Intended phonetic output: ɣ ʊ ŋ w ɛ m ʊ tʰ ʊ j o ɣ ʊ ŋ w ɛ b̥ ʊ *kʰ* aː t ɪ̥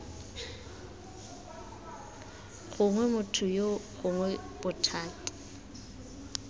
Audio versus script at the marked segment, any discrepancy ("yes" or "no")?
yes